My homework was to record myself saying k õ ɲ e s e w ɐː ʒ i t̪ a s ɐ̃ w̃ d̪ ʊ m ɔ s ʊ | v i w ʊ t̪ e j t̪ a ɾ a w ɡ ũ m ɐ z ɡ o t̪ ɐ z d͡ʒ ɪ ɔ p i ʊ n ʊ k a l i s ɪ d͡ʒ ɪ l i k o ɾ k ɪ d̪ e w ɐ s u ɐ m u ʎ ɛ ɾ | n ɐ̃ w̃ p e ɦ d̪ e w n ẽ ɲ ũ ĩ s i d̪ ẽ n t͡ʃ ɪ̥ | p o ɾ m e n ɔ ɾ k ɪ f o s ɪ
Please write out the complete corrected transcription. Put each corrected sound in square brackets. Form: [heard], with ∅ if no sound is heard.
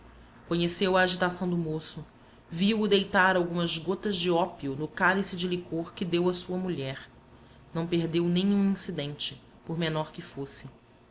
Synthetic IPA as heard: k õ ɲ e s e w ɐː ʒ i t̪ a s ɐ̃ w̃ d̪ ʊ m [o] s ʊ | v i w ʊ [d̪] e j t̪ a ɾ a w ɡ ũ m ɐ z ɡ o t̪ ɐ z d͡ʒ ɪ ɔ p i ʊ n ʊ k a l i s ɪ d͡ʒ ɪ l i k o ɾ k ɪ d̪ e w ɐ s u ɐ m u ʎ ɛ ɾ | n ɐ̃ w̃ p e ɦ d̪ e w n ẽ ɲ ũ ĩ s i d̪ ẽ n t͡ʃ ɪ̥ | p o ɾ m e n ɔ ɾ k ɪ f o s ɪ

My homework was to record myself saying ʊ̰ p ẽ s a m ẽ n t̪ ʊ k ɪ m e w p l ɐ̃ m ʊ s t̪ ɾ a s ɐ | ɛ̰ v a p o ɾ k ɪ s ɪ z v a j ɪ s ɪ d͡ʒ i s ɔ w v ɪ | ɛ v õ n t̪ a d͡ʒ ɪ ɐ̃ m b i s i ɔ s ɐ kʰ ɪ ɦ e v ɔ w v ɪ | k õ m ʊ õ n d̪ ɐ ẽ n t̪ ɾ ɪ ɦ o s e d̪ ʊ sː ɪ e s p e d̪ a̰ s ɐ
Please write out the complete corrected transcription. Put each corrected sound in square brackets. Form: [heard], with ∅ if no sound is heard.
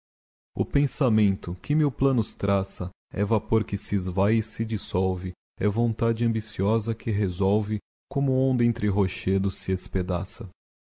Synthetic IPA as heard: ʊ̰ p ẽ s a m ẽ n t̪ ʊ k ɪ m e w p l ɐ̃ [n] ʊ s t̪ ɾ a s ɐ | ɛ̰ v a p o ɾ k ɪ s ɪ z v a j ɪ s ɪ d͡ʒ i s ɔ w v ɪ | ɛ v õ n t̪ a d͡ʒ ɪ ɐ̃ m b i s i ɔ [z] ɐ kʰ ɪ ɦ e [z] ɔ w v ɪ | k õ m ʊ õ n d̪ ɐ ẽ n t̪ ɾ ɪ ɦ o [ʃ] e d̪ ʊ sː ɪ e s p e d̪ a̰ s ɐ

